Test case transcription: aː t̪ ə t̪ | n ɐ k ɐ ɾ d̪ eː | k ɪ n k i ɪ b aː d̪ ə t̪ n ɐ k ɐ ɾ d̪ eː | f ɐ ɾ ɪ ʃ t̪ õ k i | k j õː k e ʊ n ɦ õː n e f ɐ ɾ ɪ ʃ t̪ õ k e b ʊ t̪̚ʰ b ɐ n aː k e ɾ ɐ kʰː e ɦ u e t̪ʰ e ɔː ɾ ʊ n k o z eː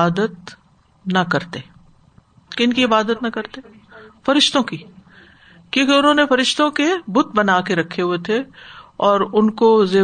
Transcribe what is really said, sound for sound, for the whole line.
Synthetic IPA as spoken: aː d̪ ə t̪ | n ɐ k ɐ ɾ t̪ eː | k ɪ n k i ɪ b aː d̪ ə t̪ n ɐ k ɐ ɾ t̪ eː | f ɐ ɾ ɪ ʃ t̪ õ k i | k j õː k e ʊ n ɦ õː n e f ɐ ɾ ɪ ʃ t̪ õ k e b ʊ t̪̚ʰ b ɐ n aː k e ɾ ɐ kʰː e ɦ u e t̪ʰ e ɔː ɾ ʊ n k o z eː